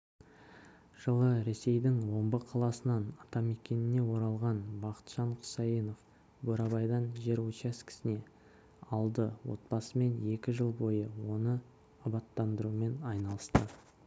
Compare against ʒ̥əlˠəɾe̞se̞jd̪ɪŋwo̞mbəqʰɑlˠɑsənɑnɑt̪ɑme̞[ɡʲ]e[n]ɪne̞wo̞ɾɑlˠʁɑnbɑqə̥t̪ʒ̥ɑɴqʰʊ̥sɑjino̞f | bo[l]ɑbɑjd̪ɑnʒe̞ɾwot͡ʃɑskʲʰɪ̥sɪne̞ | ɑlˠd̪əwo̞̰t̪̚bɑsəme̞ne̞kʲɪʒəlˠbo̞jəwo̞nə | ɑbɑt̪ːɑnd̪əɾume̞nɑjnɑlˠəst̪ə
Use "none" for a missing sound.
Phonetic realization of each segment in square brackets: kʲ, n, ɾ

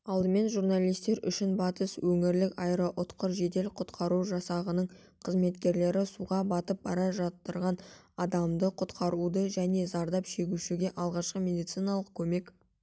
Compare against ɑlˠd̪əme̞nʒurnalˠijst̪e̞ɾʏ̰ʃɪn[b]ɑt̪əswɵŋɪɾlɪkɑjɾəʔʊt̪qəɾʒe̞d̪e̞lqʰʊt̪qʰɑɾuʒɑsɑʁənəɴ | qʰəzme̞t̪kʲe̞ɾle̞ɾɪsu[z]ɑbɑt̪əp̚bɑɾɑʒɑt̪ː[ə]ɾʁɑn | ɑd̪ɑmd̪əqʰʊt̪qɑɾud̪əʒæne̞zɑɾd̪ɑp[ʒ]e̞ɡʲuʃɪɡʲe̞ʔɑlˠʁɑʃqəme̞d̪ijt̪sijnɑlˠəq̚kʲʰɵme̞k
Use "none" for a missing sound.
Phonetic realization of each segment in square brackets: b, ʁ, ə, ʃ

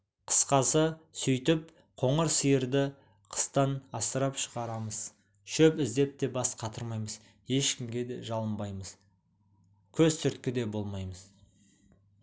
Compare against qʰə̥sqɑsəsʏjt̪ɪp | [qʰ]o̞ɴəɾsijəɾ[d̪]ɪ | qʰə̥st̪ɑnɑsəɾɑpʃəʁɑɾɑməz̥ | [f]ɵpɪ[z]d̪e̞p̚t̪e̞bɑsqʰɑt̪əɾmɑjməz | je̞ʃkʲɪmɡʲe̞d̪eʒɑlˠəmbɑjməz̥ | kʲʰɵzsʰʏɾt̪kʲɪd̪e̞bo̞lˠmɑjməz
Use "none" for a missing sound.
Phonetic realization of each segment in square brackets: qʰ, d̪, ʃ, z

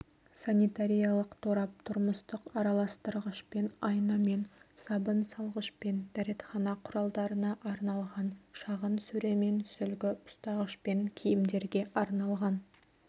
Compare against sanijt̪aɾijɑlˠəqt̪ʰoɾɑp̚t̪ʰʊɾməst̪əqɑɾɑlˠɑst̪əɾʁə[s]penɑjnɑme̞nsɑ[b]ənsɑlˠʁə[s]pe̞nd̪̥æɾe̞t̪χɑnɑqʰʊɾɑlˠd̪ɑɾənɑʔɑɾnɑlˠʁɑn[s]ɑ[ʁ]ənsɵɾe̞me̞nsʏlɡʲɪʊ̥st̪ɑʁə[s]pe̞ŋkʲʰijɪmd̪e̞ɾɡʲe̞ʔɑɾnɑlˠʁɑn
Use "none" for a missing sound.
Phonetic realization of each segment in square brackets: ʃ, b, ʃ, ʃ, ʁ, ʃ

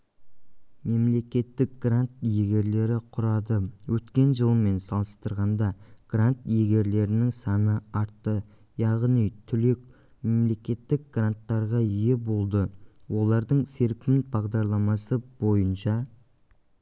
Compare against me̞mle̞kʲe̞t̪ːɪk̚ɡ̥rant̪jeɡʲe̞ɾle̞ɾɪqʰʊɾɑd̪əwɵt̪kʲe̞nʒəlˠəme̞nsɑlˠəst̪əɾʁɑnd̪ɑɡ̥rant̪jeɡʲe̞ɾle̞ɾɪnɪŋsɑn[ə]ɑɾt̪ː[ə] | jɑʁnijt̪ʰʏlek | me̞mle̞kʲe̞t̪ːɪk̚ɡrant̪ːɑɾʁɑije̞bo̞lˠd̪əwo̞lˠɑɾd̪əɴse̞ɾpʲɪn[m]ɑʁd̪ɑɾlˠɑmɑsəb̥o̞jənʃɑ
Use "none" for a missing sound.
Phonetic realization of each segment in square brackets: ə, ə, b

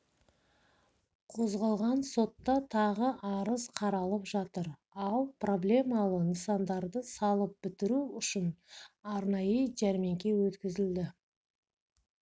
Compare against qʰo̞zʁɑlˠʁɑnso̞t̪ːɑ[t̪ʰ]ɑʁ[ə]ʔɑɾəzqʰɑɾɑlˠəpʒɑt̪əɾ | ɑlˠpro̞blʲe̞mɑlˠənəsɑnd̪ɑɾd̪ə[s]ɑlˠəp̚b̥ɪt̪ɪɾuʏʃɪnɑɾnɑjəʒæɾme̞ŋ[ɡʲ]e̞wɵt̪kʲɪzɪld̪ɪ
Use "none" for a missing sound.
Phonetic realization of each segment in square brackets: t̪ʰ, ə, s, kʲ

